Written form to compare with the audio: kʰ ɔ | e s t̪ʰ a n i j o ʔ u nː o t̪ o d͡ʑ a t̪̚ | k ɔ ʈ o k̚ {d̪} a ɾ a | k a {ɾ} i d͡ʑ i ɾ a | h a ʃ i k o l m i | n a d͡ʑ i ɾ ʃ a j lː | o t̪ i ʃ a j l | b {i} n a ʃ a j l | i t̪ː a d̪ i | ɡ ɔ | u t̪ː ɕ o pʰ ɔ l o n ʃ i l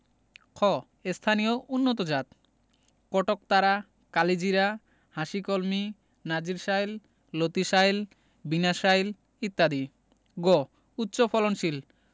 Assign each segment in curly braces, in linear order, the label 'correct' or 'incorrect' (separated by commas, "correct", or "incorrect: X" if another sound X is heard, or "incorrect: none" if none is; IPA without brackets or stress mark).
incorrect: t̪, incorrect: l, correct